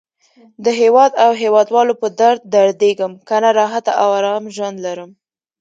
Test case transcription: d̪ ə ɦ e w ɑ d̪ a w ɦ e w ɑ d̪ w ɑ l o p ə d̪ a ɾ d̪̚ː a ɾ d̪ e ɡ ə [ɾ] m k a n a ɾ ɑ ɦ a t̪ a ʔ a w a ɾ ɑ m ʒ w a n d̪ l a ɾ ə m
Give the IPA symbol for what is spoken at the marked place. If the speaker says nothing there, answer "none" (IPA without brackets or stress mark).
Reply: none